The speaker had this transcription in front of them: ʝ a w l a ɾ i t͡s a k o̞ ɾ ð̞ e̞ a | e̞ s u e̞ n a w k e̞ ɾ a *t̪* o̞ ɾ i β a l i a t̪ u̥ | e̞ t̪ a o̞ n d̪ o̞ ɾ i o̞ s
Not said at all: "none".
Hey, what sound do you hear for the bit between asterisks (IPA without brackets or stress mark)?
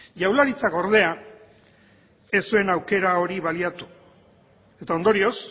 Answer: none